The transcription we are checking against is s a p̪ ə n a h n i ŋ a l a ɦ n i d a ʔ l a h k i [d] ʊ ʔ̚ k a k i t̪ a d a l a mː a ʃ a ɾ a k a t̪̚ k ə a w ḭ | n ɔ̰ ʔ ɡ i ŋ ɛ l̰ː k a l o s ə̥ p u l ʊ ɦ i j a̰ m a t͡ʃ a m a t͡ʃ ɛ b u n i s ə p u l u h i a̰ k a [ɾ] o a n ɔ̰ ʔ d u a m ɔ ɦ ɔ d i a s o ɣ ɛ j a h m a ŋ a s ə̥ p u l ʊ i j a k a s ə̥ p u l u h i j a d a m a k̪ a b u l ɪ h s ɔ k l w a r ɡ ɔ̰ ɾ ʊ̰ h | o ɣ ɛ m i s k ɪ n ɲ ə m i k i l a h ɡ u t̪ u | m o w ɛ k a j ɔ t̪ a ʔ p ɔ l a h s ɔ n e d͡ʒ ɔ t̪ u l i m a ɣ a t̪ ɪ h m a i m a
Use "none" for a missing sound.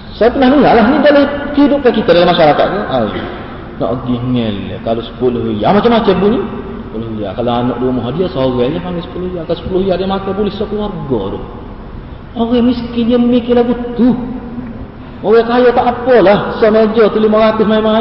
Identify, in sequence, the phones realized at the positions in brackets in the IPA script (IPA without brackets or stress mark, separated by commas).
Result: d, l